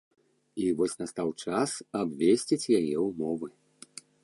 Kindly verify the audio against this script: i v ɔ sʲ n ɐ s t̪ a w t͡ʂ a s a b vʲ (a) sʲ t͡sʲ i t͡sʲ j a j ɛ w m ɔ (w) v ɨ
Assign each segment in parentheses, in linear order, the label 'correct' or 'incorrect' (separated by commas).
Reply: incorrect, incorrect